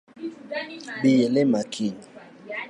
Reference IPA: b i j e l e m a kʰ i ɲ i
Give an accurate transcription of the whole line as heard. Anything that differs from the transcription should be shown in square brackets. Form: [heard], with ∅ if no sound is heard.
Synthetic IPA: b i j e l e m a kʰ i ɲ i